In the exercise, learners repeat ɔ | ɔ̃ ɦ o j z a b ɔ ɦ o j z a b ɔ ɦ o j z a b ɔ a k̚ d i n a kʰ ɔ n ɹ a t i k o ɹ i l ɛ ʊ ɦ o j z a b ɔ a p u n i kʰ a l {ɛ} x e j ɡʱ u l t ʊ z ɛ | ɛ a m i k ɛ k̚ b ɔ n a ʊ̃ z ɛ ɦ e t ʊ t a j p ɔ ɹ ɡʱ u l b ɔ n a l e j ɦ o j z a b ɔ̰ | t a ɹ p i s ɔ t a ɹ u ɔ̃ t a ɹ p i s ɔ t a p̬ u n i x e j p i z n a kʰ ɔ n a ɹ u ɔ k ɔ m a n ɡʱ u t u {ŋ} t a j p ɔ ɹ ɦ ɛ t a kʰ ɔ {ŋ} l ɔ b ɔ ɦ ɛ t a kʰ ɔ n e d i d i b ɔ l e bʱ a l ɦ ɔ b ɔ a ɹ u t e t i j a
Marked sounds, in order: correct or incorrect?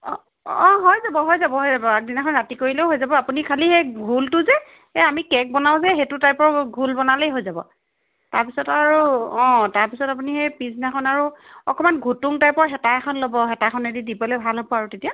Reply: incorrect: i, correct, incorrect: n

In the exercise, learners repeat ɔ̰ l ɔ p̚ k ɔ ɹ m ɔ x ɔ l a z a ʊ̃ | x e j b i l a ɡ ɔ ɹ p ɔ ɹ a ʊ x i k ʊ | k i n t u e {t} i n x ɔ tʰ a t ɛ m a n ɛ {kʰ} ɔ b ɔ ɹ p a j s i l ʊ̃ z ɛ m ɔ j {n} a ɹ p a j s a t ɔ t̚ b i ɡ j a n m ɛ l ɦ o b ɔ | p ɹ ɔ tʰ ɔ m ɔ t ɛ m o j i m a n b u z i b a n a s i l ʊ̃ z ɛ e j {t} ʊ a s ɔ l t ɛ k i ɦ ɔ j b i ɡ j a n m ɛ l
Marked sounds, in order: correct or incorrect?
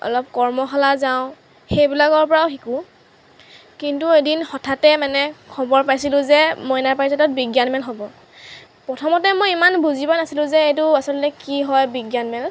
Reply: incorrect: d, correct, correct, correct

